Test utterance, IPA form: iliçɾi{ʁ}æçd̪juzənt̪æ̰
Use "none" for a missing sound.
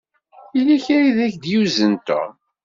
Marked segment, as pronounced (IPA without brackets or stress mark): ð